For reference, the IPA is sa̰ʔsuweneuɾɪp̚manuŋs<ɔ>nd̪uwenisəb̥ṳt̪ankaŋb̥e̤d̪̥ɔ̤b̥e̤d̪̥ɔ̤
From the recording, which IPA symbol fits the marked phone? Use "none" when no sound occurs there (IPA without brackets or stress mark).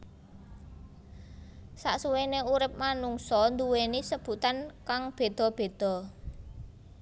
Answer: ɔ